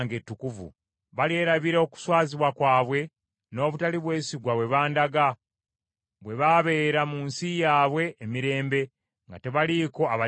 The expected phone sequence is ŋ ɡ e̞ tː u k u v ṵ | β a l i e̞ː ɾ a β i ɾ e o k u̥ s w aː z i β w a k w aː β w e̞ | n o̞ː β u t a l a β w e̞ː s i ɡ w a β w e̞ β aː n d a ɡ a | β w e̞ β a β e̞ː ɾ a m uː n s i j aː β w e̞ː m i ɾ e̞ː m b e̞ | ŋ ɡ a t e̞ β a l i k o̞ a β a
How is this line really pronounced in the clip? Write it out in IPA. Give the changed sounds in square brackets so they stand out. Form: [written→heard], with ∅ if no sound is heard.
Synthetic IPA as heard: ŋ ɡ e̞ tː u k u v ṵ | β a l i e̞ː ɾ a β i ɾ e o k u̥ s w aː z i β w a k w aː β w e̞ | n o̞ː β u t a l [a→i] β w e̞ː s i ɡ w a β w e̞ β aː n d a ɡ a | β w e̞ β a β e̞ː ɾ a m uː n s i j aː β w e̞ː m i ɾ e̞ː m b e̞ | ŋ ɡ a t e̞ β a l i k o̞ a β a